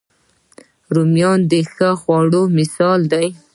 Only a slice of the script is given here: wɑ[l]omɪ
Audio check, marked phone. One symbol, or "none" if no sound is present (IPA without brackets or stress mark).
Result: ɽ